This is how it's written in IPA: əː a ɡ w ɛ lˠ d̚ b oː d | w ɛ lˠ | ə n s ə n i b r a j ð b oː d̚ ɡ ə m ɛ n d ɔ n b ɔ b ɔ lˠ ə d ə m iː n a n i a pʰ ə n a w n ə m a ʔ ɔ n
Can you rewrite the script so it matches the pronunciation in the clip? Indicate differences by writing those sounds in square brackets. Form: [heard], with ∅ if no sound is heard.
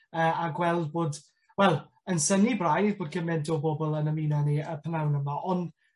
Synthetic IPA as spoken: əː a ɡ w ɛ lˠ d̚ b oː d | w ɛ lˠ | ə n s ə n i b r a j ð b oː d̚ ɡ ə m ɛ n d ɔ [∅] b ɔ b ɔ lˠ ə [n] ə m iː n a n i [ə] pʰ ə n a w n ə m a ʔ ɔ n